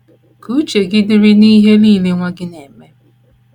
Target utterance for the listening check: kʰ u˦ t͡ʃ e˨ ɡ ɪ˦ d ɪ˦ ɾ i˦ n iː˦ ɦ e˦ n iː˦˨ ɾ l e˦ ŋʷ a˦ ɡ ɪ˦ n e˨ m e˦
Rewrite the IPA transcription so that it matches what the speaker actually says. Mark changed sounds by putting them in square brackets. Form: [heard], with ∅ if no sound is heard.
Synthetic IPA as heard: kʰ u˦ t͡ʃ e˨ ɡ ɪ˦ d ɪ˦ ɾ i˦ n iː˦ ɦ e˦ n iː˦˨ [∅] l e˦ ŋʷ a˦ ɡ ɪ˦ n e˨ m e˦

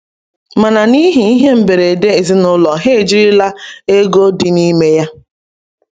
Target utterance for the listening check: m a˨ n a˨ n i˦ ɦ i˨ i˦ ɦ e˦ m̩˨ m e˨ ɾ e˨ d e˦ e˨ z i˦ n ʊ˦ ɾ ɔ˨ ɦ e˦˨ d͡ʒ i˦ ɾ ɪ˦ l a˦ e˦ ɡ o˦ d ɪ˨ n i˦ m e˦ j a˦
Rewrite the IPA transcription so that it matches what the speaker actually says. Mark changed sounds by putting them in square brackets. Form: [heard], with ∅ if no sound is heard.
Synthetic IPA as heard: m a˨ n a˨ n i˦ ɦ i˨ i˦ ɦ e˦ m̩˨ [b] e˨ ɾ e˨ d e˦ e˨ z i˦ n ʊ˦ [l] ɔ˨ ɦ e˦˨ d͡ʒ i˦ ɾ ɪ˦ l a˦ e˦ ɡ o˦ d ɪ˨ n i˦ m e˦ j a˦

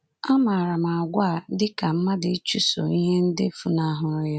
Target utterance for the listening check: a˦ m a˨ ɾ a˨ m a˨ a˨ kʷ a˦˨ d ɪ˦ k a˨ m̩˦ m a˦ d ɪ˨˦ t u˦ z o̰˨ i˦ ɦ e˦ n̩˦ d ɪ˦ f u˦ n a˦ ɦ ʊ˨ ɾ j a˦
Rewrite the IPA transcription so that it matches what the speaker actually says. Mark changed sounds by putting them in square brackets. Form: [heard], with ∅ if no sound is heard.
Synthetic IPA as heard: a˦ m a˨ ɾ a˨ m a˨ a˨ [ɡʷ] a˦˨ d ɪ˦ k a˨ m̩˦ m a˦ d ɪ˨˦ [t͡ʃ] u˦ [s] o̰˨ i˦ ɦ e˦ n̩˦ d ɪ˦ f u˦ n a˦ ɦ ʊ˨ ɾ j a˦

